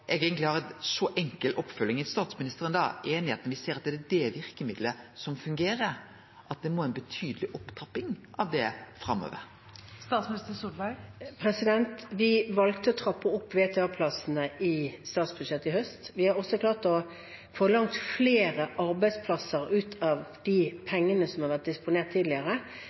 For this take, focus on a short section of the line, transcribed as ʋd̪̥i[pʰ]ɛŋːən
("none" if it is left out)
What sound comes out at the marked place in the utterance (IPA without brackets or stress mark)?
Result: pʰ